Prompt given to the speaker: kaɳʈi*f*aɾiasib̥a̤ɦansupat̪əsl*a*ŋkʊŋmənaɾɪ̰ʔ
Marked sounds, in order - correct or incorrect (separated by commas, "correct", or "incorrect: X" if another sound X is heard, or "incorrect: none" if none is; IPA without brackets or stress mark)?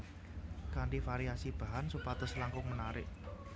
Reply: correct, correct